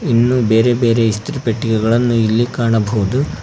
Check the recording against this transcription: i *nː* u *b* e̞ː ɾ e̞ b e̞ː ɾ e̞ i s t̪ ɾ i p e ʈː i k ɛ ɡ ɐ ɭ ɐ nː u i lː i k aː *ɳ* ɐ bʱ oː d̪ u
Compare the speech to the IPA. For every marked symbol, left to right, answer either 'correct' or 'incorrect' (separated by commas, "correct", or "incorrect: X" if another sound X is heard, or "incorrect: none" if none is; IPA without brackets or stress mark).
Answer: correct, correct, correct